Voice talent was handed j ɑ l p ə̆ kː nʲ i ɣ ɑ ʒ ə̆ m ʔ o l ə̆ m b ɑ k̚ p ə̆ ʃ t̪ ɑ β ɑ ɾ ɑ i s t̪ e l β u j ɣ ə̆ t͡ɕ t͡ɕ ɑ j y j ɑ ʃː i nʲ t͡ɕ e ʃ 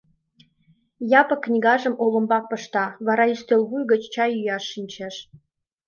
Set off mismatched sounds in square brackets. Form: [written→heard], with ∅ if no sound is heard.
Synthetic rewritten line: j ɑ [l→∅] p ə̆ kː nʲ i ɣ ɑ ʒ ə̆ m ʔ o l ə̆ m b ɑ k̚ p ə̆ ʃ t̪ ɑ β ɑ ɾ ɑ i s t̪ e l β u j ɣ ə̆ t͡ɕ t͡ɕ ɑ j y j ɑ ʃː i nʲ t͡ɕ e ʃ